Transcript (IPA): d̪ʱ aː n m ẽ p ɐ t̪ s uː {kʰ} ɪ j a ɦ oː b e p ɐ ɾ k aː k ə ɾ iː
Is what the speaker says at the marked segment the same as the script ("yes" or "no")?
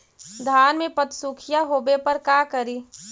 yes